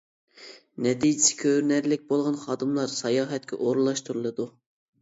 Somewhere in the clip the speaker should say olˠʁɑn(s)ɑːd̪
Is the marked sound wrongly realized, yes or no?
yes